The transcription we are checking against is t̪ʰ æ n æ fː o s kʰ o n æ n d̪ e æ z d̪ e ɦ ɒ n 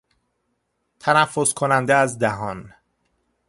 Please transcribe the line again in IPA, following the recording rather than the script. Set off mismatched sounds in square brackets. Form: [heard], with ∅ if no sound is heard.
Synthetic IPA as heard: t̪ʰ æ n æ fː o s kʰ o n æ n d̪ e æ z d̪ [æ] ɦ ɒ n